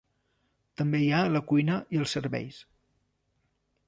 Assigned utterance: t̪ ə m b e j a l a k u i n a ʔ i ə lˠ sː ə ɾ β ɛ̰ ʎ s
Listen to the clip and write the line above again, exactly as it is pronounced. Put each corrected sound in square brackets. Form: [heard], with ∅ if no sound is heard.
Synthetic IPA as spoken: t̪ ə m b e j a l [ə] k u [j] n [ə] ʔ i ə lˠ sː ə ɾ β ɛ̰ [j] s